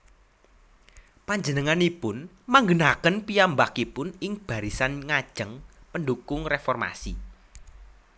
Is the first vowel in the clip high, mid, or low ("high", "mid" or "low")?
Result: low